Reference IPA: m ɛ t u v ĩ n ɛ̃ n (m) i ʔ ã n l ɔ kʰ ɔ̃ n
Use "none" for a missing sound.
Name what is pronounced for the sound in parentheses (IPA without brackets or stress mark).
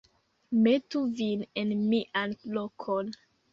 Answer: m